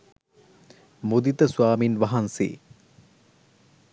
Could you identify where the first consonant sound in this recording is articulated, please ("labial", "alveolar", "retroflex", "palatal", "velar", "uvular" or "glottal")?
labial